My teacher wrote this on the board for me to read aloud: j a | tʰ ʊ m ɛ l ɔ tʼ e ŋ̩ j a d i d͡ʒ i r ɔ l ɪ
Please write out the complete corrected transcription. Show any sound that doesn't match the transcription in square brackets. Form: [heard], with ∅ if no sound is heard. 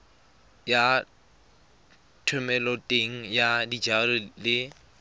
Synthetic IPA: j a | tʰ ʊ m ɛ l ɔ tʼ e ŋ̩ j a d i d͡ʒ [a] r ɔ l ɪ